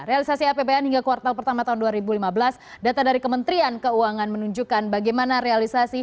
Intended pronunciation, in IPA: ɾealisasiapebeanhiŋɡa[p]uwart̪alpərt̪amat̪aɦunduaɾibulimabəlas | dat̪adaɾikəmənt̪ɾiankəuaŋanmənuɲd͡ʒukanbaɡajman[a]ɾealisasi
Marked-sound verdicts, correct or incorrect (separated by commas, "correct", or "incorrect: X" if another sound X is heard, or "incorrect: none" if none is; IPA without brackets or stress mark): incorrect: k, correct